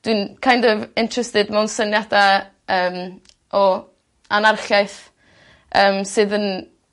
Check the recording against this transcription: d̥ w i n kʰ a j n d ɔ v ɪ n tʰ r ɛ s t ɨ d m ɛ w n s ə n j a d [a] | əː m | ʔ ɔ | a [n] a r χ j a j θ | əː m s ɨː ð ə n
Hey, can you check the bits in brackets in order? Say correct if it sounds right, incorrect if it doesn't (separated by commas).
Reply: correct, correct